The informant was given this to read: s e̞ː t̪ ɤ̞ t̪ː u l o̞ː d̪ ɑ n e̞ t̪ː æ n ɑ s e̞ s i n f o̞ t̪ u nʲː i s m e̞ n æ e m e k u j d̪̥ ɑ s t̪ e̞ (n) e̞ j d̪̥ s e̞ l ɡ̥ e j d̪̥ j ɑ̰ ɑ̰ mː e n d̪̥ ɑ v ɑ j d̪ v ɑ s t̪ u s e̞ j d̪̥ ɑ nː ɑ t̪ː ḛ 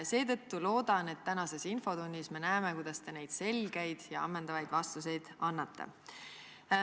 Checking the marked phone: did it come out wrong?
no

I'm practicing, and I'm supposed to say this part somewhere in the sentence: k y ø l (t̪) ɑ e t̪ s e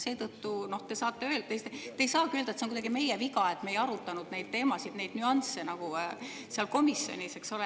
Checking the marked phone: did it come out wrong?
yes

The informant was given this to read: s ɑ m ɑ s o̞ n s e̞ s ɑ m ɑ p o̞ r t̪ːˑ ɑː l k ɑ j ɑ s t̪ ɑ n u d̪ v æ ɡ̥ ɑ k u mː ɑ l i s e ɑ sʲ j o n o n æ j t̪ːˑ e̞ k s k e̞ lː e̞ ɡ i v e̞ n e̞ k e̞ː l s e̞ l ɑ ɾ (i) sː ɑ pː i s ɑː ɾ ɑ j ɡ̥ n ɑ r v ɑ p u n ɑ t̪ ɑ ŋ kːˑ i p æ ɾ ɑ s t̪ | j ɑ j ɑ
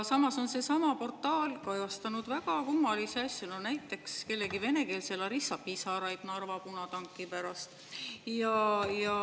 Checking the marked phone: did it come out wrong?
no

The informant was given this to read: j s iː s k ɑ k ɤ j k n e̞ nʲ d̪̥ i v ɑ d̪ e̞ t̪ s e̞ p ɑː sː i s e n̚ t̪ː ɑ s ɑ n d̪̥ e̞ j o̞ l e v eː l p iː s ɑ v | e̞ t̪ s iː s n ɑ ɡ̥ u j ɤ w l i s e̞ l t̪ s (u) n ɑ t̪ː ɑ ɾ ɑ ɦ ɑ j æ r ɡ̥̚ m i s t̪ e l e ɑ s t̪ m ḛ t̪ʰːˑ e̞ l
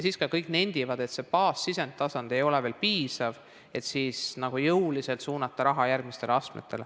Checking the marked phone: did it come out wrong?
yes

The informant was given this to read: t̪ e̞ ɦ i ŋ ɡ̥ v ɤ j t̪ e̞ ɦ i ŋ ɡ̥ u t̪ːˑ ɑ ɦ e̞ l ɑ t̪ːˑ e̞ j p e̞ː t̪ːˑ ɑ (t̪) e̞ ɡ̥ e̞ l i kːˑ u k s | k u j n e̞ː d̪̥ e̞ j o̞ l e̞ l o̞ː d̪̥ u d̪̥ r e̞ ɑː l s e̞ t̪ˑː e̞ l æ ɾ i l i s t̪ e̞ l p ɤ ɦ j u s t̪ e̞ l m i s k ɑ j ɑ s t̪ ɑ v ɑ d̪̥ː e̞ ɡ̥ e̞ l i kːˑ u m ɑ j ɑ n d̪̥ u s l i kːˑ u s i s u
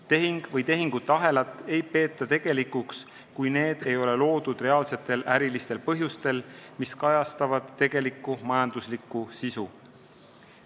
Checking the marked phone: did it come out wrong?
no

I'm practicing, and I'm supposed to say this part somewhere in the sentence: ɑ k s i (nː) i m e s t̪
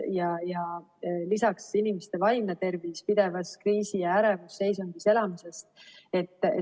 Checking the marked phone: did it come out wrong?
yes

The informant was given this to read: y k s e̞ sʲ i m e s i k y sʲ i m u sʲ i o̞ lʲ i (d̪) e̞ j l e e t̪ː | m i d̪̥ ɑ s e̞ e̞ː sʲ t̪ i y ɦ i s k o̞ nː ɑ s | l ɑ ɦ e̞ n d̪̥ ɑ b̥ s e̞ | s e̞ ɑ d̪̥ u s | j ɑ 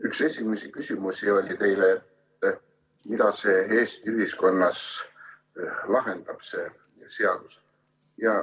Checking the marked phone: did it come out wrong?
yes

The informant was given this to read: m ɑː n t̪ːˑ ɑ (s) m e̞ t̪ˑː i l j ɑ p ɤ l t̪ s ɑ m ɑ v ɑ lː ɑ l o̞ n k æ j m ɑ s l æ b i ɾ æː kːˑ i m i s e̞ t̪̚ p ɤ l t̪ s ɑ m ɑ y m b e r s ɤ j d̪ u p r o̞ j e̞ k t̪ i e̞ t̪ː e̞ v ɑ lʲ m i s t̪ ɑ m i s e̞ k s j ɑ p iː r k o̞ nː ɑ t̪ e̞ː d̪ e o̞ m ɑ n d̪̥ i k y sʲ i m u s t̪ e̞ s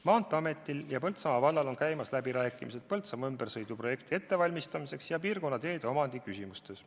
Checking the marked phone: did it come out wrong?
yes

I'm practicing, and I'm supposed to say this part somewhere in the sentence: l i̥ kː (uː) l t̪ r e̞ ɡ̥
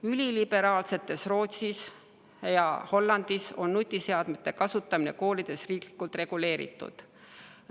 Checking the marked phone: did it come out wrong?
yes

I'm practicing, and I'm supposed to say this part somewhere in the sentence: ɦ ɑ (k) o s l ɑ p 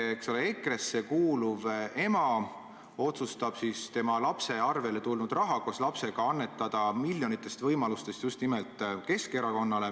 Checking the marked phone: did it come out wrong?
no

